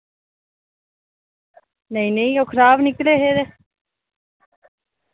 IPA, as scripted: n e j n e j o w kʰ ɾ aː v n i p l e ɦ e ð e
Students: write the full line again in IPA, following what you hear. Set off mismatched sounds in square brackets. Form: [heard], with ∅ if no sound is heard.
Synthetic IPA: n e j n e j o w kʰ ɾ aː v n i [k] l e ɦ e ð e